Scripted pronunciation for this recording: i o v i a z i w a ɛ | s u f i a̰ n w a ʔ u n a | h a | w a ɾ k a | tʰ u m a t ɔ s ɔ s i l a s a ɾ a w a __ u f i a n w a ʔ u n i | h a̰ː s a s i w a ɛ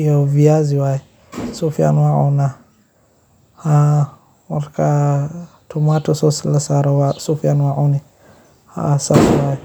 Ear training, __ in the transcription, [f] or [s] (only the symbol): s